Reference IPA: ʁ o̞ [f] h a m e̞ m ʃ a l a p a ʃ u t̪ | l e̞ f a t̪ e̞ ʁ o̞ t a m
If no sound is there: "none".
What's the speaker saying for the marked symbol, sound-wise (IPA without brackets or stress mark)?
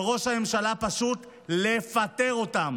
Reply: ʃ